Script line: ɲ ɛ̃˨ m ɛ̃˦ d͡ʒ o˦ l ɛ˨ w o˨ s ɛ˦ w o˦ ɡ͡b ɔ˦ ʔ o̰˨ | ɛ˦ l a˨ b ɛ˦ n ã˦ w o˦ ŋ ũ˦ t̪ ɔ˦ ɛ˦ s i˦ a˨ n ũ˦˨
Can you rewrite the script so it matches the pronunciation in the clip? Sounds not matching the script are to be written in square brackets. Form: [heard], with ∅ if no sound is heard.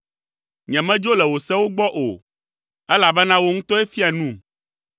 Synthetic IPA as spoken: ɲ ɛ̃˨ m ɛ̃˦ d͡ʒ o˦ l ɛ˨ w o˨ s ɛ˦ w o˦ ɡ͡b ɔ˦ ʔ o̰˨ | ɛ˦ l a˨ b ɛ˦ n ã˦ w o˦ ŋ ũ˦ t̪ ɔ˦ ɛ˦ [f] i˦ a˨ n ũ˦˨